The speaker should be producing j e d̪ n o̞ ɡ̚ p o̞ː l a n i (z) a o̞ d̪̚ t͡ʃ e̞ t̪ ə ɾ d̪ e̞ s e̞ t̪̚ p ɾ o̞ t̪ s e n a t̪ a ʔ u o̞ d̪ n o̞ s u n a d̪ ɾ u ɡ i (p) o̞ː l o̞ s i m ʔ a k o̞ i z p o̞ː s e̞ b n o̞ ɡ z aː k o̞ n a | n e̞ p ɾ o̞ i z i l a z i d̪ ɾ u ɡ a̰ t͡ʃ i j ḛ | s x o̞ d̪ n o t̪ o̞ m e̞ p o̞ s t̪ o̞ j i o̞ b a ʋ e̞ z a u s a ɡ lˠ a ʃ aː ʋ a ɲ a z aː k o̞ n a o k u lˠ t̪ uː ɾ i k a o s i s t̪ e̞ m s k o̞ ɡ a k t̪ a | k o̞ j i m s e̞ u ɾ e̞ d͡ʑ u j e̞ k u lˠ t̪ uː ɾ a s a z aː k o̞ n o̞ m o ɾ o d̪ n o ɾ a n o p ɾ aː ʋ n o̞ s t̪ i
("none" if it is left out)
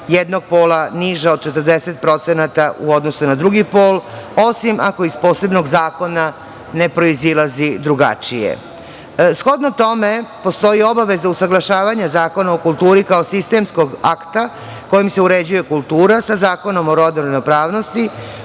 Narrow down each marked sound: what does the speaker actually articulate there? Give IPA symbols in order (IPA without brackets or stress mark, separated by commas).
ʒ, p